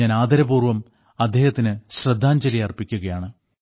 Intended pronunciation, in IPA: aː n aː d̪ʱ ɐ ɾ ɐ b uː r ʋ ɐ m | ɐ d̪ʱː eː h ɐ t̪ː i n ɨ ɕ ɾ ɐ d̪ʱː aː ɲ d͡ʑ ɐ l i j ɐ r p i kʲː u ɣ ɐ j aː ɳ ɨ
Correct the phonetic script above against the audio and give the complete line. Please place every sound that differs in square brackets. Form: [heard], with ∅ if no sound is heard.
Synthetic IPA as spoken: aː n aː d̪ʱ ɐ ɾ ɐ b uː r ʋ ɐ m | ɐ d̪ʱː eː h ɐ t̪ː i n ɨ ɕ [r] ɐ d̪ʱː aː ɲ d͡ʑ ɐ l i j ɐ r p i kʲː u ɣ ɐ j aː ɳ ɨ